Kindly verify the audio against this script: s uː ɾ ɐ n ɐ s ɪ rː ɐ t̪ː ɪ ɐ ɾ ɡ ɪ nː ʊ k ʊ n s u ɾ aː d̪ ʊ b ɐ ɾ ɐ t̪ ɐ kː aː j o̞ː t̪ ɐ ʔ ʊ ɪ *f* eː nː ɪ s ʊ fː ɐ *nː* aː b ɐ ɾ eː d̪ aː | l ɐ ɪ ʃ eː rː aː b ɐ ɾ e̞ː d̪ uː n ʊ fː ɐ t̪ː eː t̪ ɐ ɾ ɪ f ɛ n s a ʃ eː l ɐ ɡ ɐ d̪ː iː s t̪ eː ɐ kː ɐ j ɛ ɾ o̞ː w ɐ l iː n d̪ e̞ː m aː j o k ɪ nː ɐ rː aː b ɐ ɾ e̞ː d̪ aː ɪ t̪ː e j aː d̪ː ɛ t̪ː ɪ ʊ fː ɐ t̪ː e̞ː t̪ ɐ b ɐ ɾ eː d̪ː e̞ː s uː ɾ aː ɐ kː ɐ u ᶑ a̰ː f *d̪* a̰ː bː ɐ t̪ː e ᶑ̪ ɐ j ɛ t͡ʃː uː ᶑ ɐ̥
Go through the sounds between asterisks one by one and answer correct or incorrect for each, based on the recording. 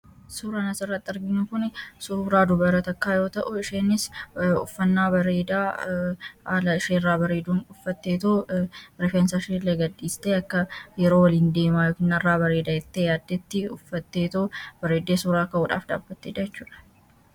incorrect, correct, correct

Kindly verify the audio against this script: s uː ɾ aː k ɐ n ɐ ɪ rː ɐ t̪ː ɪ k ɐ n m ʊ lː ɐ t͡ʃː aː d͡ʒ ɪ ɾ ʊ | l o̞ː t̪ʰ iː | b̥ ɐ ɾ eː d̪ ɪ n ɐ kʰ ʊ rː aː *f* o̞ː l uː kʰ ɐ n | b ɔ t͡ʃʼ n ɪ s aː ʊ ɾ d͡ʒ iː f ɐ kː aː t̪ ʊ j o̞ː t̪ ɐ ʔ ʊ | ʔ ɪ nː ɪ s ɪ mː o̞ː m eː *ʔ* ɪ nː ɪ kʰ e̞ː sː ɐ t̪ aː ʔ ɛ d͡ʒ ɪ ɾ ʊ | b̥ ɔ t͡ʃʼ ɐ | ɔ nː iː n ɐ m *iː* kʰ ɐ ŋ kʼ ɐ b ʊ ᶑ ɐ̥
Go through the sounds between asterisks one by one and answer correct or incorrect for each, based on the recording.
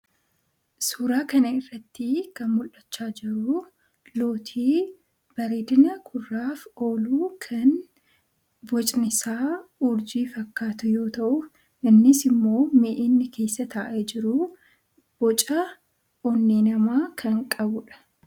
correct, correct, incorrect

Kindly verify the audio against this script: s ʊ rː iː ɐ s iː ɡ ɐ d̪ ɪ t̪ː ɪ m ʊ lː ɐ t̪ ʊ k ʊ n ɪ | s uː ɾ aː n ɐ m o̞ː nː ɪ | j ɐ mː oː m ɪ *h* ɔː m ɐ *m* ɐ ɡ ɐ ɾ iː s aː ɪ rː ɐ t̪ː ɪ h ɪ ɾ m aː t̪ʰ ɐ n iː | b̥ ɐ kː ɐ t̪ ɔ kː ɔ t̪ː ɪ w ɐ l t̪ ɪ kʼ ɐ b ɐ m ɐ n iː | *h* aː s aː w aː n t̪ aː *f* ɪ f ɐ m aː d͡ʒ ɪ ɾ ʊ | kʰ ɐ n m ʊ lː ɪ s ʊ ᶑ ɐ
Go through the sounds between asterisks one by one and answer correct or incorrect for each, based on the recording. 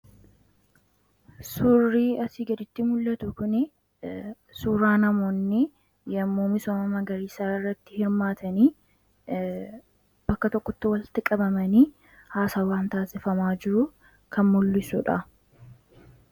incorrect, correct, correct, incorrect

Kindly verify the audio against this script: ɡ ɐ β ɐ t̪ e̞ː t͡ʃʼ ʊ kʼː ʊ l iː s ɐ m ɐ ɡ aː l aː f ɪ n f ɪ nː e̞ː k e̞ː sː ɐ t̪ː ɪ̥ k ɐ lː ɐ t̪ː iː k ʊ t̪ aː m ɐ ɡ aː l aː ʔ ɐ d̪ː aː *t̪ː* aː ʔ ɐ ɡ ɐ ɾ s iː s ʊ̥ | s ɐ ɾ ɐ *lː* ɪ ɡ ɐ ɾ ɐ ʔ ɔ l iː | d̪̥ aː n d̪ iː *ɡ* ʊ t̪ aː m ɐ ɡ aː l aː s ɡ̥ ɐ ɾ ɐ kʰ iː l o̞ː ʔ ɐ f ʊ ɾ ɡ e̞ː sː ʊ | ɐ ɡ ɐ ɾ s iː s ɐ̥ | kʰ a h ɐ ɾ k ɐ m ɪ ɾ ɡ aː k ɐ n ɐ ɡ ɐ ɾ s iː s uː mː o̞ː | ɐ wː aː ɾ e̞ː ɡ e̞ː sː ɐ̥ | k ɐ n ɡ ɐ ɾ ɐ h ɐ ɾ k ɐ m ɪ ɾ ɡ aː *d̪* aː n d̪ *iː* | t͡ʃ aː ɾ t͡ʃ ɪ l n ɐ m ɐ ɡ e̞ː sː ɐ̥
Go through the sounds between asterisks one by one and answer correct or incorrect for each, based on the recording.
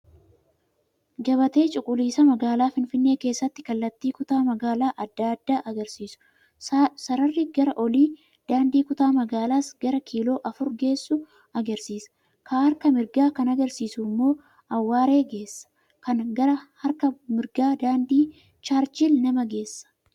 incorrect, incorrect, incorrect, correct, correct

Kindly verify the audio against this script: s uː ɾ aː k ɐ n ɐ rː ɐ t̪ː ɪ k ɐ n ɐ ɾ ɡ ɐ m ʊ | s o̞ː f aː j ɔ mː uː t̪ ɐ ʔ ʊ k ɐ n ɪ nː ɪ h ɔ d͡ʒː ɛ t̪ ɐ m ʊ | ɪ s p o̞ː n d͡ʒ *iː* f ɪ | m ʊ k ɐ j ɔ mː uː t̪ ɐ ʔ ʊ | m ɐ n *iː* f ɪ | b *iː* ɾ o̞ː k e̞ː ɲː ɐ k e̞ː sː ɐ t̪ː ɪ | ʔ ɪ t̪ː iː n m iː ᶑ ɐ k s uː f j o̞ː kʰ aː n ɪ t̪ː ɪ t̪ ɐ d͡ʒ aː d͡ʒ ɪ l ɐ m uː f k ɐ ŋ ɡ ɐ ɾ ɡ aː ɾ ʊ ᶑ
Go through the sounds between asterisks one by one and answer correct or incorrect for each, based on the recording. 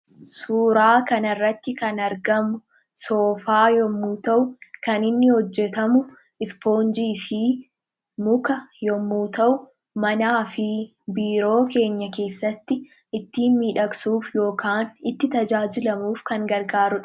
correct, incorrect, correct

